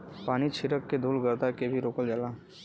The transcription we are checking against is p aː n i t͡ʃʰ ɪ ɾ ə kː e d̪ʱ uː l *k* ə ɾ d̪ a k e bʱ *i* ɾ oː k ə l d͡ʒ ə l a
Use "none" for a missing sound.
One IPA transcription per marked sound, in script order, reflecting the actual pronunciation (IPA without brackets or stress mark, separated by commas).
ɡ, i